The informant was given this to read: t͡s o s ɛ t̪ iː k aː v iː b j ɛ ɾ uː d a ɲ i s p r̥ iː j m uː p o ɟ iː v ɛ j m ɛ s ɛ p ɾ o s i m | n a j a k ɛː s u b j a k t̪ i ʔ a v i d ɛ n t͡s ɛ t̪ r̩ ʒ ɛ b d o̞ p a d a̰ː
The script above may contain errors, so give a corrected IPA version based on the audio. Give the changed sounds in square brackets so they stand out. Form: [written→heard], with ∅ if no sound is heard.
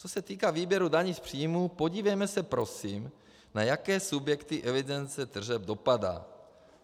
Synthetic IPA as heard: t͡s o s ɛ t̪ iː k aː v iː b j ɛ ɾ [uː→u] d a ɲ i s p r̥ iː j m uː p o ɟ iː v ɛ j m ɛ s ɛ p ɾ o s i m | n a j a k ɛː s u b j [a→ɛ] k t̪ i ʔ [a→ɛ] v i d ɛ n t͡s ɛ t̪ r̩ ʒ ɛ b d o̞ p a d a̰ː